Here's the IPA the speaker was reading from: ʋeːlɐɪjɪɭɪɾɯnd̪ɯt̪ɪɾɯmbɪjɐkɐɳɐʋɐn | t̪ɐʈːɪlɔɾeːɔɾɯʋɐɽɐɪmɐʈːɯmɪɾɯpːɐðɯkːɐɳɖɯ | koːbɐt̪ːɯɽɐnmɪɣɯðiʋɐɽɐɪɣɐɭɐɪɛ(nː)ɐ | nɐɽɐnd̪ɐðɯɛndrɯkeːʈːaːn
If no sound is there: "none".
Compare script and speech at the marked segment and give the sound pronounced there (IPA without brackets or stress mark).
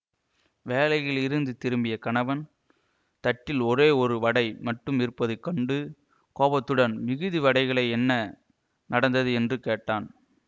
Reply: nː